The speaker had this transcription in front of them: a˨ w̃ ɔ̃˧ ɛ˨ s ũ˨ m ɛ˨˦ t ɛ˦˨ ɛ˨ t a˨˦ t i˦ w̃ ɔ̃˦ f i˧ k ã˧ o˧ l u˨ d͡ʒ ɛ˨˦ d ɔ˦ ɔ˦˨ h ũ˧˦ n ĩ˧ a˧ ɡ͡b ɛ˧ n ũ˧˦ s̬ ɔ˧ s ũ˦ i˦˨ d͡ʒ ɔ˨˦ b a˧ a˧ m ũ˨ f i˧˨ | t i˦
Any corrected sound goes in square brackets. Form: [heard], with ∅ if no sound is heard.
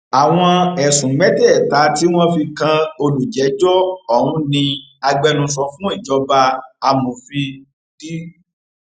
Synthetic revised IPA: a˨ w̃ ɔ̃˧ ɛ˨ s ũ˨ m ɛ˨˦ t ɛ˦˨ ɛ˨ t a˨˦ t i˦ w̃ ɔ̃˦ f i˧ k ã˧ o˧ l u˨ d͡ʒ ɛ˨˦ [d͡ʒ] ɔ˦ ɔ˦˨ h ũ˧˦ n ĩ˧ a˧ ɡ͡b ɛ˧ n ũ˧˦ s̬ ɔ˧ [f] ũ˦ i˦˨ d͡ʒ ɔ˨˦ b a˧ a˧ m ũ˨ f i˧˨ | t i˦